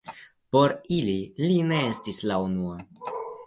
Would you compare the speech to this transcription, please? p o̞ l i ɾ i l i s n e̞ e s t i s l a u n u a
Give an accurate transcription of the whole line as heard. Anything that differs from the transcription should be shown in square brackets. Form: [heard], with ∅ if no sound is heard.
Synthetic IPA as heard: p o̞ [ɾ] i [l] i l i [∅] n e̞ e s t i s l a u n u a